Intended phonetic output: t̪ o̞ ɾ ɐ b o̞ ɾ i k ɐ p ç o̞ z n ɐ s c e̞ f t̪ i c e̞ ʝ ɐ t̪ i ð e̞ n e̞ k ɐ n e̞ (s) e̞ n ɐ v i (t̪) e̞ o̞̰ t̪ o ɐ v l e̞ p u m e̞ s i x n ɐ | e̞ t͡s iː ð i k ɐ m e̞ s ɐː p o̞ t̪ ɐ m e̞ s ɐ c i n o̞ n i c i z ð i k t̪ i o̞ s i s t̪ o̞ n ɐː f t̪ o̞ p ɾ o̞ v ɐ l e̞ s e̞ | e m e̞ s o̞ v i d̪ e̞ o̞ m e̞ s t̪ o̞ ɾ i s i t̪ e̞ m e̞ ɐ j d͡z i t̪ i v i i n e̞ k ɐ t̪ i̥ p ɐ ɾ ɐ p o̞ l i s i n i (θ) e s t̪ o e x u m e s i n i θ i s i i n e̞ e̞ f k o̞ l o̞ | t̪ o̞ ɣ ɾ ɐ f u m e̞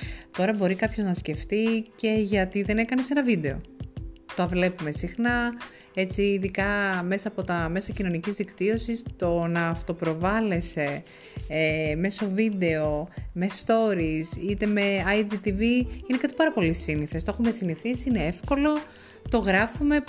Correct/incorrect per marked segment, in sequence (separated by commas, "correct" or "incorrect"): correct, incorrect, correct